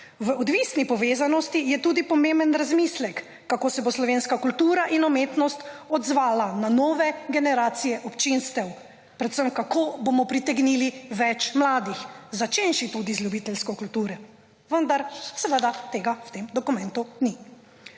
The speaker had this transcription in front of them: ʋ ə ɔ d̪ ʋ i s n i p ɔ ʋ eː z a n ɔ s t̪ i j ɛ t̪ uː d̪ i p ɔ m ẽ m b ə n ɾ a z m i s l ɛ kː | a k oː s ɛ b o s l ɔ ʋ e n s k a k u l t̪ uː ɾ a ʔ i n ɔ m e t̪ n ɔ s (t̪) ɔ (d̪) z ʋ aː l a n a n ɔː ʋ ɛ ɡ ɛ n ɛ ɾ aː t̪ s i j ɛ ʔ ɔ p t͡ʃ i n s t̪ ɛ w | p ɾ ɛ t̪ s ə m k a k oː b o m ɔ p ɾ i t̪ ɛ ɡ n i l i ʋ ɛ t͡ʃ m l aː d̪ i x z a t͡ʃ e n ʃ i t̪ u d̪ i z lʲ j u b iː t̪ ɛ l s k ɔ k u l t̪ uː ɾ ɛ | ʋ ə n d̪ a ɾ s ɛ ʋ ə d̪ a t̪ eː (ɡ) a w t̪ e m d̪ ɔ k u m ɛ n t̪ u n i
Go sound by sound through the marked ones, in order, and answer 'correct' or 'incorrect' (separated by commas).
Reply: correct, correct, correct